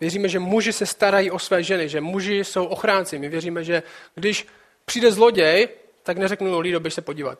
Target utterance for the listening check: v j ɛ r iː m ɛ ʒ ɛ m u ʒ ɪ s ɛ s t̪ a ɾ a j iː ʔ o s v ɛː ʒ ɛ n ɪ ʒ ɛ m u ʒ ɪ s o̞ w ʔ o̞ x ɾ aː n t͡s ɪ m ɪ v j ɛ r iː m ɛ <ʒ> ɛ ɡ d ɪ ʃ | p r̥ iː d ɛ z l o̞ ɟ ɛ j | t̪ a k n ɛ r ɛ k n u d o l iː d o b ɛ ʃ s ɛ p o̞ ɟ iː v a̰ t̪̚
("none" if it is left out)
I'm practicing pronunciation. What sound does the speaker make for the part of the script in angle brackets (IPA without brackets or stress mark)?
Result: ʒ